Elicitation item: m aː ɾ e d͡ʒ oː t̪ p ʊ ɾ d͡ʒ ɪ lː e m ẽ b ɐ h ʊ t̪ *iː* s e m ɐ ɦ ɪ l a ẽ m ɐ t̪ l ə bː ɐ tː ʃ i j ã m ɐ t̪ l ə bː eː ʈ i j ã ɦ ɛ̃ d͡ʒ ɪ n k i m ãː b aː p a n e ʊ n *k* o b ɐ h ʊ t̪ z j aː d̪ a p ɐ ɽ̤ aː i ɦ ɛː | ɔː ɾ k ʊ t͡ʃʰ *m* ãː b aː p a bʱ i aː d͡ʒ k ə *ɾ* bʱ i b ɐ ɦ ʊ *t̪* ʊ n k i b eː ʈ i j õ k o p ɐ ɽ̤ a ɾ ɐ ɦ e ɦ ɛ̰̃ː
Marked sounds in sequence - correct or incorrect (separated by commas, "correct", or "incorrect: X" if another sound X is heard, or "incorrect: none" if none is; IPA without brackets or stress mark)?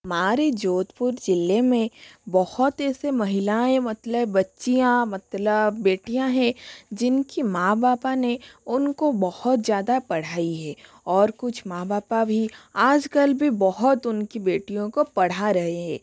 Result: incorrect: ɛː, correct, correct, incorrect: l, correct